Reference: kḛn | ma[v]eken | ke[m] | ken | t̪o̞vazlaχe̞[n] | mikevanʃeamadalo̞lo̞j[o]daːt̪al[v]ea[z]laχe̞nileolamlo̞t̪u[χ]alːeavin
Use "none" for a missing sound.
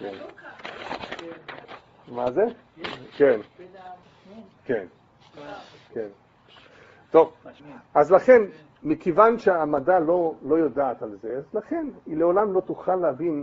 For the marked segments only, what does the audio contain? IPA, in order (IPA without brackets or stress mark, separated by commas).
z, n, n, o, z, z, χ